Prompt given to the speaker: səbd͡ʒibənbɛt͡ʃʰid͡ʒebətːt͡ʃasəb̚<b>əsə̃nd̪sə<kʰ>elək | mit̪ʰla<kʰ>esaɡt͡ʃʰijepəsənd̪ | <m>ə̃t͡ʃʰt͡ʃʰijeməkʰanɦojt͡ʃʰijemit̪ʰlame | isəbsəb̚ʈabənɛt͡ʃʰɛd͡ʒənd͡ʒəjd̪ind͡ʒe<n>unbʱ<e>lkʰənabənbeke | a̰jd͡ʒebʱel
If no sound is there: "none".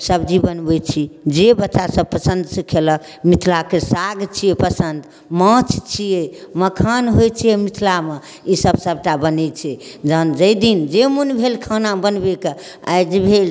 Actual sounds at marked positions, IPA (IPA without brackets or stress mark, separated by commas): p, kʰ, k, m, m, e